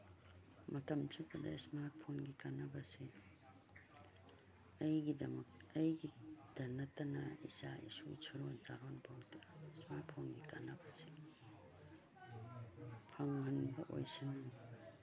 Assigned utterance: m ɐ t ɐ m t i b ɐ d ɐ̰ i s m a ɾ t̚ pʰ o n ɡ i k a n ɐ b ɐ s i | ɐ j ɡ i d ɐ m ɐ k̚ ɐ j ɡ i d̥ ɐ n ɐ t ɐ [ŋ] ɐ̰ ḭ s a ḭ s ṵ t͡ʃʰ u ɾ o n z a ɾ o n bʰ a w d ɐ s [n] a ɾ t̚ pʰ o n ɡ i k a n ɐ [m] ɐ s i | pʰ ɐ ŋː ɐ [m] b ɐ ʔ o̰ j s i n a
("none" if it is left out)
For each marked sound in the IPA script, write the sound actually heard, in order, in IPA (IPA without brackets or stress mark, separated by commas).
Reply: n, m, b, n